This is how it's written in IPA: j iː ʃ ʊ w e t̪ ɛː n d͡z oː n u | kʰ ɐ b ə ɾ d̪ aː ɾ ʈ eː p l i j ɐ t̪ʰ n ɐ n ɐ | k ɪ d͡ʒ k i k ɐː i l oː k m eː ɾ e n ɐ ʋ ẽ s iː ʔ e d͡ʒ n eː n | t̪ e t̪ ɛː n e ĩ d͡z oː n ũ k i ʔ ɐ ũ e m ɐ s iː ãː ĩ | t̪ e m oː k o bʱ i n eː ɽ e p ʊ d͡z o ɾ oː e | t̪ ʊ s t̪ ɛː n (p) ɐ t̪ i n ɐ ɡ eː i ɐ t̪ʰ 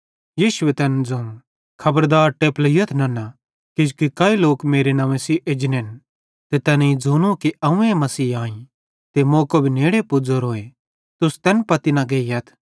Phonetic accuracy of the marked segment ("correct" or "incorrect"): correct